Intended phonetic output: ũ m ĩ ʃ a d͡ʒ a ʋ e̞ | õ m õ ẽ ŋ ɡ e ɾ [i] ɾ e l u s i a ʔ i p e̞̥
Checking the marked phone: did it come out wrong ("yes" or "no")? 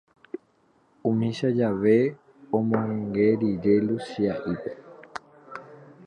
no